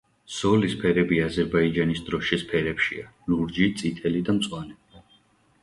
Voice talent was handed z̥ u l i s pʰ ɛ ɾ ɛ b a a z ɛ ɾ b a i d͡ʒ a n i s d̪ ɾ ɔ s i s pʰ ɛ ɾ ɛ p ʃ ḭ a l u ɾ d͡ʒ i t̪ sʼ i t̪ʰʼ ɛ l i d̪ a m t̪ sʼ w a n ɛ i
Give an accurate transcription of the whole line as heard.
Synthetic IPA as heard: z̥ ɔ l i s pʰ ɛ ɾ ɛ b i a z ɛ ɾ b a i d͡ʒ a n i s d̪ ɾ ɔ ʃ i s pʰ ɛ ɾ ɛ p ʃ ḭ a l u ɾ d͡ʒ i t̪ sʼ i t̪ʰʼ ɛ l i d̪ a m t̪ sʼ w a n ɛ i